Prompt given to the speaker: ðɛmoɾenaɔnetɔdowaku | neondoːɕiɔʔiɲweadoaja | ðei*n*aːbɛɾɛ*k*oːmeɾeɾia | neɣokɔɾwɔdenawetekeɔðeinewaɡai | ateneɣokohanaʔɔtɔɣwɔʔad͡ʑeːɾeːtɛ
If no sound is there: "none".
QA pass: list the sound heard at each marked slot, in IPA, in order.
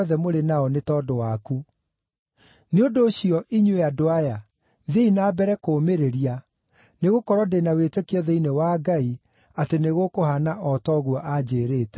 n, k

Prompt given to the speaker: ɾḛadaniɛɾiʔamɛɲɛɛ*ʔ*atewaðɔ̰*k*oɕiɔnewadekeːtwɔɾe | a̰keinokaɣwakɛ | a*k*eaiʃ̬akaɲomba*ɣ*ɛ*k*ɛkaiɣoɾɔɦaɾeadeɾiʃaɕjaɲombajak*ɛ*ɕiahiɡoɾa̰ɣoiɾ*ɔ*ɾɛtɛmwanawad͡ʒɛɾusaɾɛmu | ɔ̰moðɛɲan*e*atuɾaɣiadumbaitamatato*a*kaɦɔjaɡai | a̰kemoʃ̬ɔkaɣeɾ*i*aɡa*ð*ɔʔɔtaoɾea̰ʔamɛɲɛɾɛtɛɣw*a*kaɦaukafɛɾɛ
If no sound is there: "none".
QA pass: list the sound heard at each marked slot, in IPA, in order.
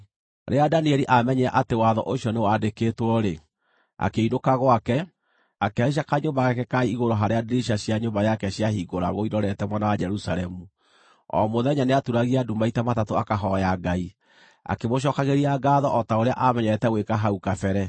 ʔ, ʔ, k, ɣ, k, ɛ, ɔ, e, a, i, ð, e

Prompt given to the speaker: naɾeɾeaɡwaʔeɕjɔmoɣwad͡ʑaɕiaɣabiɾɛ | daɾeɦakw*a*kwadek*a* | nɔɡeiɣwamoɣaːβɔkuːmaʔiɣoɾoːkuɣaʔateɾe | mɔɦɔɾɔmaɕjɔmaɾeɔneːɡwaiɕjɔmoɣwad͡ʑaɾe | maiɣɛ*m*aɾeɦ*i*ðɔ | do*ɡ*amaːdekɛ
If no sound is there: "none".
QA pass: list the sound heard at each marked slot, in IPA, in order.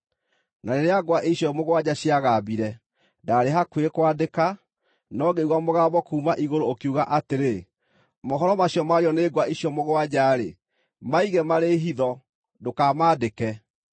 e, a, m, i, k

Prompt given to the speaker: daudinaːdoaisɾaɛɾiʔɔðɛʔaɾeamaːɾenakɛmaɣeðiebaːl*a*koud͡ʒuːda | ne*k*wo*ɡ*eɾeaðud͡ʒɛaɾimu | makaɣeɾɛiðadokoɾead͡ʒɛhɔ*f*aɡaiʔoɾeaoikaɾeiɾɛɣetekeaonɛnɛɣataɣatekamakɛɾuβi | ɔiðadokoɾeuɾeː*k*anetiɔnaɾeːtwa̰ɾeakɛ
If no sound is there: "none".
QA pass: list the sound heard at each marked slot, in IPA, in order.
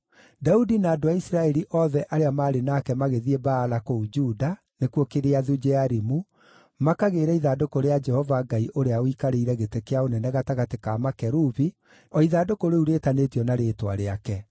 a, k, k, v, t

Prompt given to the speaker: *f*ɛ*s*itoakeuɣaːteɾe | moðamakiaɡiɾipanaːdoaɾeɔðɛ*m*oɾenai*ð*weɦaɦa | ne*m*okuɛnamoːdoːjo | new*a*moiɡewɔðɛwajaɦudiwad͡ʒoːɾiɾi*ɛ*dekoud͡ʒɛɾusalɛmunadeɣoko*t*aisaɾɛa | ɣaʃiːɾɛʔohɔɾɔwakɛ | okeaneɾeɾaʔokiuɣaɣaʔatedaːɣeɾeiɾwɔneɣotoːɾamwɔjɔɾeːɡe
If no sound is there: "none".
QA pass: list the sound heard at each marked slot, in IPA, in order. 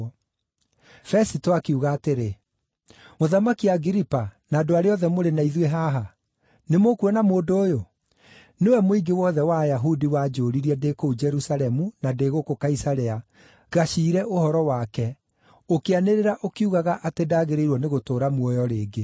f, s, m, ð, m, ɛ, ɛ, k

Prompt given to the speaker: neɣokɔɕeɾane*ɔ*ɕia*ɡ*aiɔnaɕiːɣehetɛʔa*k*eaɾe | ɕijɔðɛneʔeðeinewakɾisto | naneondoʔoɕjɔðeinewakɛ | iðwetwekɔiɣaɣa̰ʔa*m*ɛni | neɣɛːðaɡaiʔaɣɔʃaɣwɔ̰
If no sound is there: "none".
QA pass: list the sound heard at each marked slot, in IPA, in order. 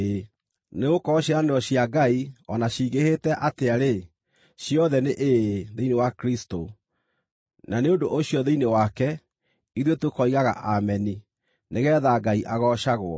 ɔ, ɡ, t, m

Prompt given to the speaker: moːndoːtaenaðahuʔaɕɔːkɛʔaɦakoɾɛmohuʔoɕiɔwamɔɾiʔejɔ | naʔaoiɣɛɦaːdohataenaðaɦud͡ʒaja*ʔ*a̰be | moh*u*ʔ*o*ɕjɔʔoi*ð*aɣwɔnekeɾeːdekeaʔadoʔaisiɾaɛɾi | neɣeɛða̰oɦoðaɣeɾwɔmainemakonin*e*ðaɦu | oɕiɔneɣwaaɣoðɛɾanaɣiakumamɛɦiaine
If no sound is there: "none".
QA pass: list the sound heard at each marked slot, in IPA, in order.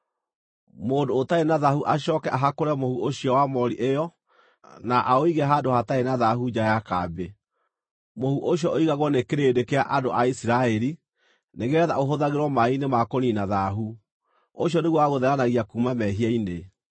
k, u, o, ɣ, a

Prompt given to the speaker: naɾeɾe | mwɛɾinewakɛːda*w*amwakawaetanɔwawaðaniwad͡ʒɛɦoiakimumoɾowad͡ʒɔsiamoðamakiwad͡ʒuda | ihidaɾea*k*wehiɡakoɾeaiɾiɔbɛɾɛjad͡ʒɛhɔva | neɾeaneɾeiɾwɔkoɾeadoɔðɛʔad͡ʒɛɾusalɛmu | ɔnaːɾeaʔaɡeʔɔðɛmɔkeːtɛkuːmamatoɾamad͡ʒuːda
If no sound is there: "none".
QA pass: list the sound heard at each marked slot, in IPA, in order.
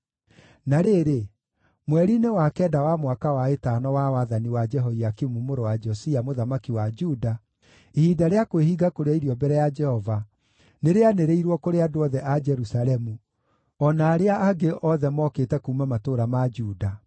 w, k

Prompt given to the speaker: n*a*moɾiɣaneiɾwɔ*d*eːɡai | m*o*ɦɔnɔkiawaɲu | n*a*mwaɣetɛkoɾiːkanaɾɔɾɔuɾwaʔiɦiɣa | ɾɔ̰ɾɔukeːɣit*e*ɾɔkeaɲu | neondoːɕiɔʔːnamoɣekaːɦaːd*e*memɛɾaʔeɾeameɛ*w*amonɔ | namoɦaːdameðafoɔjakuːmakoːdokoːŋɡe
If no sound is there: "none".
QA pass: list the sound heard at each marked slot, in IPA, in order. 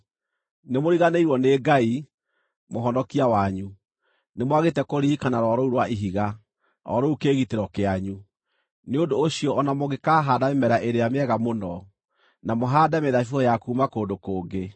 e, n, o, e, e, a, ɣ

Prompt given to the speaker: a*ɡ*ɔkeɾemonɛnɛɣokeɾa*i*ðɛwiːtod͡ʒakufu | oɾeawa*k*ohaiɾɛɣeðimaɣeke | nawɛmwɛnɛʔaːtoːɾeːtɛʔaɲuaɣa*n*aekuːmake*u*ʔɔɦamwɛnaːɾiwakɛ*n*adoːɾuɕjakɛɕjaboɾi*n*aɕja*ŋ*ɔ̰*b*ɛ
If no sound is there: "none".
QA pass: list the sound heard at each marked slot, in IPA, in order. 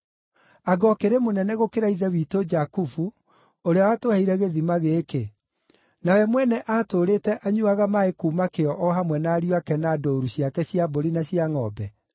ɡ, i, t, m, ɔ, n, n, ŋ, b

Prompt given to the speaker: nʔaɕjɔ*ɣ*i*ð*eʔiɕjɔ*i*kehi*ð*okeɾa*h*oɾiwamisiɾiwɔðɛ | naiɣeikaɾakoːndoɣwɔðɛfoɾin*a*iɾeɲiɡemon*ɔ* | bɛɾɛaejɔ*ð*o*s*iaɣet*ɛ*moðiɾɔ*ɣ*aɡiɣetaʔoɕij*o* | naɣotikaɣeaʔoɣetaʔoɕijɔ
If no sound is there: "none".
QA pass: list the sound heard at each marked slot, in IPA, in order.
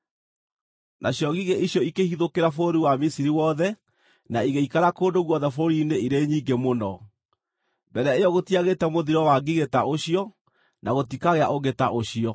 ɣ, ɣ, i, ð, f, e, ɔ, ɣ, t, ɛ, w, ɔ

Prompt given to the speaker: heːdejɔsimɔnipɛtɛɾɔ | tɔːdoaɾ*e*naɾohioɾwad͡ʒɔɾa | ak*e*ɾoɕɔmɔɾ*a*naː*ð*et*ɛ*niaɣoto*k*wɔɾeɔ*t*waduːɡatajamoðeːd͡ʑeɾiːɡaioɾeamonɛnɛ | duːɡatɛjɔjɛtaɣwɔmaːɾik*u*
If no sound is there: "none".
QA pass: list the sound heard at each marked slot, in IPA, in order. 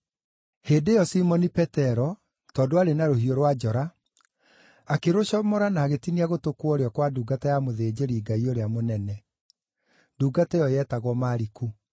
e, e, a, ɣ, i, k, k, u

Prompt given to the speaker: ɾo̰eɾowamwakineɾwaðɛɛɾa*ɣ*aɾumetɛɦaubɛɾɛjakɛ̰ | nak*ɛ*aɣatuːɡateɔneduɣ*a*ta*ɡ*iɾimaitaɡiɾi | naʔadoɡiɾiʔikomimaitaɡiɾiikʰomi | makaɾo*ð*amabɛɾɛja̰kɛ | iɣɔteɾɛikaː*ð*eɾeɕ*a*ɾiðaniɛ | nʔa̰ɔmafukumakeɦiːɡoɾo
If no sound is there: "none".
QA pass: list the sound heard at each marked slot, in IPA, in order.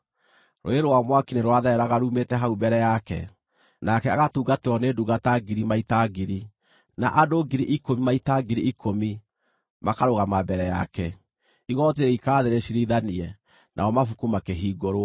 ɣ, ɛ, a, ɡ, ɣ, ð, i

